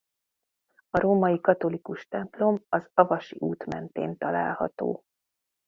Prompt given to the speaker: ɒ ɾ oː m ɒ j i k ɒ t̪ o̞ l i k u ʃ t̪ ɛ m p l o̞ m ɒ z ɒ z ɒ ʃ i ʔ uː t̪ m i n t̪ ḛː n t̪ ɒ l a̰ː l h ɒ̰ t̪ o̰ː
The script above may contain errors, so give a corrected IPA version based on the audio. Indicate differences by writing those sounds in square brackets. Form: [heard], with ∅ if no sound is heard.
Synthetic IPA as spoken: ɒ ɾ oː m ɒ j i k ɒ t̪ o̞ l i k u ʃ t̪ ɛ m p l o̞ m ɒ z ɒ [v] ɒ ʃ i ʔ uː t̪ m [ɛ] n t̪ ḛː n t̪ ɒ l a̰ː l h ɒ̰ t̪ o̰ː